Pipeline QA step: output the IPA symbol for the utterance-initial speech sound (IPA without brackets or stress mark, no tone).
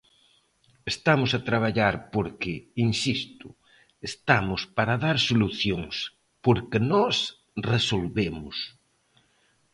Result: e